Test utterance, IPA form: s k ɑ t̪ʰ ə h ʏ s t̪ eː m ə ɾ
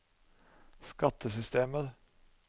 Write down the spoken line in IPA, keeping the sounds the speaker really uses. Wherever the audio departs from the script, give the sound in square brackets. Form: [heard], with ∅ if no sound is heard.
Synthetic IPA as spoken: s k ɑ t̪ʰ ə [s] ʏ s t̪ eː m ə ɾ